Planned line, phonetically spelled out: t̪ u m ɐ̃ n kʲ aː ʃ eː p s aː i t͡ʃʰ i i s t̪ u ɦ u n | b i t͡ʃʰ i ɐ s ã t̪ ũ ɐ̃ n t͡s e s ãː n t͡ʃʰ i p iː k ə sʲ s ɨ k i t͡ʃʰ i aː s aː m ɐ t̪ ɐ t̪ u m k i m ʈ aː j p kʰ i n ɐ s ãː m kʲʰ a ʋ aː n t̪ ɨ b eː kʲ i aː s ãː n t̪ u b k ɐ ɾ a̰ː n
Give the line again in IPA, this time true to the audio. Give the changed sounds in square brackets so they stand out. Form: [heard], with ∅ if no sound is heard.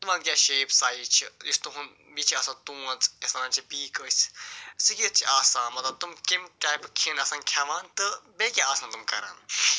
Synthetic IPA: t̪ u m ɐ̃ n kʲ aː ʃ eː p s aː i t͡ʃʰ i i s t̪ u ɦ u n | b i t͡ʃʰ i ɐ s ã t̪ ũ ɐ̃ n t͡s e s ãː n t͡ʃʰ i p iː k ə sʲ s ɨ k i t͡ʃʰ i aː s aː m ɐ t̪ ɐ t̪ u m k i m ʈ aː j p kʰ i n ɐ s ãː [n] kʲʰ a ʋ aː n t̪ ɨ b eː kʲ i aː s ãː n t̪ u [m] k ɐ ɾ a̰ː n